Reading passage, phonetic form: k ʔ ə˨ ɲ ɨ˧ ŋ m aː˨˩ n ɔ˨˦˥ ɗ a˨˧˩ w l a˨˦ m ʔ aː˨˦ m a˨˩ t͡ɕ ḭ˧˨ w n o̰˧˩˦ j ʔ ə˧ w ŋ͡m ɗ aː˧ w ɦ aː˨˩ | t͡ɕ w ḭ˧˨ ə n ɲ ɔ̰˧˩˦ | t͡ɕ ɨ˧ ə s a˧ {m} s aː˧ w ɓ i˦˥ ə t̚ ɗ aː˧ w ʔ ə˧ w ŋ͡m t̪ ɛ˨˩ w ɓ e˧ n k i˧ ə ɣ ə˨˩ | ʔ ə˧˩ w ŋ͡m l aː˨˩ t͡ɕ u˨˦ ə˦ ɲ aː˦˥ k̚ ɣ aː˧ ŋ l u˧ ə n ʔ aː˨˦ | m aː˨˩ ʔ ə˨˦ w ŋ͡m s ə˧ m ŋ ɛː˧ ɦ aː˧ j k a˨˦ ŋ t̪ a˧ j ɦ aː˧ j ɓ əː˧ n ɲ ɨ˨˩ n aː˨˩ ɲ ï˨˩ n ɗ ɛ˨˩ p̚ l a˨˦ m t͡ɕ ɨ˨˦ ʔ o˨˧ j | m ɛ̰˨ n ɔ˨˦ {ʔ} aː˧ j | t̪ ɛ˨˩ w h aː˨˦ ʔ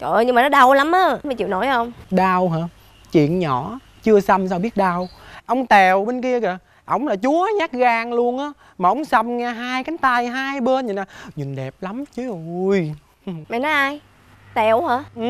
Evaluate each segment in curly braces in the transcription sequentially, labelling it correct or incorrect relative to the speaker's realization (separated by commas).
correct, correct